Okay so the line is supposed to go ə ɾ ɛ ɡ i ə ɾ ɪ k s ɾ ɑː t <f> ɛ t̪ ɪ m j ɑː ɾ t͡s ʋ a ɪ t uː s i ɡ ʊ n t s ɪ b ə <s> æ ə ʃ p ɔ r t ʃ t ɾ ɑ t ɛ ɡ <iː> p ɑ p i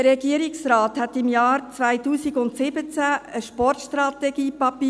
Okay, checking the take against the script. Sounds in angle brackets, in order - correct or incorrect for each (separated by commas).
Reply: incorrect, incorrect, correct